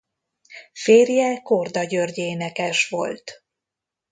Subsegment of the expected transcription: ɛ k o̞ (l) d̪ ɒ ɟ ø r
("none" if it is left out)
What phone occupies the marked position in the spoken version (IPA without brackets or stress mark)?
r